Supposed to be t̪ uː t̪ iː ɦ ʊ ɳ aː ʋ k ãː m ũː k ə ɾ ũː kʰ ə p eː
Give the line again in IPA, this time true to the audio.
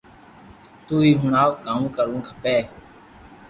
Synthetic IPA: t̪ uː iː ɦ ʊ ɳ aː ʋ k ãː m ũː k ə ɾ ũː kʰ ə p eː